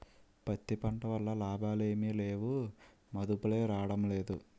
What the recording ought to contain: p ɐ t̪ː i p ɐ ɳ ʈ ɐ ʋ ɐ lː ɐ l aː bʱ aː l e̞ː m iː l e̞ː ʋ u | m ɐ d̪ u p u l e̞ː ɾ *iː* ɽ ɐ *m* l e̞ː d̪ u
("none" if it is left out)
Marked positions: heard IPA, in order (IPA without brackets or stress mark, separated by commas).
aː, m